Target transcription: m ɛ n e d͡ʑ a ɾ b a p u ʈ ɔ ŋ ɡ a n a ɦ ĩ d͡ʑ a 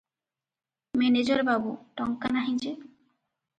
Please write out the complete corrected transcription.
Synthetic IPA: m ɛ n e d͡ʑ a ɾ b a b u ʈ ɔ ŋ k a n a ɦ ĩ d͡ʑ e